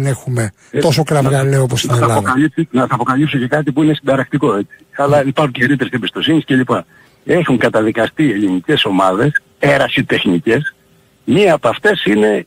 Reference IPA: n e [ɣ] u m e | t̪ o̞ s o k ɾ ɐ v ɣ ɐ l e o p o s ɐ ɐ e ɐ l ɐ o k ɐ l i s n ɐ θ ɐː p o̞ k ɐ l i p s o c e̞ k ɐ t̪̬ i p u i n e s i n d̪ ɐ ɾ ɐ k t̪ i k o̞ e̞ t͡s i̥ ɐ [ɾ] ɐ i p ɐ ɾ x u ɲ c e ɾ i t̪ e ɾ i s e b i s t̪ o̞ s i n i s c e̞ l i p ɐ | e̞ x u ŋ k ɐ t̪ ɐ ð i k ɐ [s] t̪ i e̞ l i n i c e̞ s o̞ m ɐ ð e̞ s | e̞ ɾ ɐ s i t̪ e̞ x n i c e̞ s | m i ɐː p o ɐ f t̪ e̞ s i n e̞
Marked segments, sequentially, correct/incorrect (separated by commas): incorrect, incorrect, correct